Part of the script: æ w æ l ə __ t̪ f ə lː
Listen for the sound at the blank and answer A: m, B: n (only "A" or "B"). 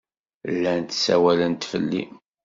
B